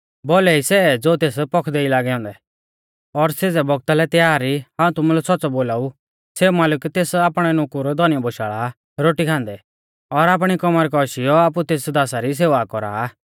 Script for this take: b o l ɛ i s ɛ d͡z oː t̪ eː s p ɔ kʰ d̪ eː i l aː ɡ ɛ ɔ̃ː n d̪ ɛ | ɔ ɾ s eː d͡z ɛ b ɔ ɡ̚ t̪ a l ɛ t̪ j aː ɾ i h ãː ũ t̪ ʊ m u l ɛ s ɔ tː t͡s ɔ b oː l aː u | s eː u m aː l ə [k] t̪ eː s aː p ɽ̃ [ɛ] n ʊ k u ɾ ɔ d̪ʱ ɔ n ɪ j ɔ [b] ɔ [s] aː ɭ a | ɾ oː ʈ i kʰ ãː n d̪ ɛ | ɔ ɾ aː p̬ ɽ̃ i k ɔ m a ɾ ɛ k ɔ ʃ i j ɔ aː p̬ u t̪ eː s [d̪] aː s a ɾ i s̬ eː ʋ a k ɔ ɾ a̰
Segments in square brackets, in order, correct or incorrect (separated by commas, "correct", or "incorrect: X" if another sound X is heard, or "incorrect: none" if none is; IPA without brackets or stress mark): correct, correct, correct, incorrect: ʃ, correct